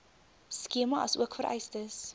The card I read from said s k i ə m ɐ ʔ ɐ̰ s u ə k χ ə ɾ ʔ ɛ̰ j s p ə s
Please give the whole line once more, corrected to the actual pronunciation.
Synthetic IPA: s k i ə m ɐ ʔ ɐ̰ s u ə k f ə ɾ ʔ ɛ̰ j s t ə s